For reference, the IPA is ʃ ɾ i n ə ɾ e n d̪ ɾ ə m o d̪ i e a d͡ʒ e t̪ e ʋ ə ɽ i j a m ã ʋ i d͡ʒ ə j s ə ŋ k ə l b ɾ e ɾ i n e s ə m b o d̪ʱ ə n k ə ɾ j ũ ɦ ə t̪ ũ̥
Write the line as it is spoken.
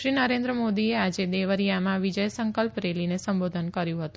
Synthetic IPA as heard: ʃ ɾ i n ə ɾ e n d̪ ɾ ə m o d̪ i e a d͡ʒ e d̪ e ʋ ə ɾ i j a m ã ʋ i d͡ʒ ə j s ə ŋ k ə l p ɾ e l i n e s ə m b o d̪ʱ ə n k ə ɾ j ũ ɦ ə t̪ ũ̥